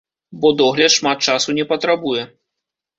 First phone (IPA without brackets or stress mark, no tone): b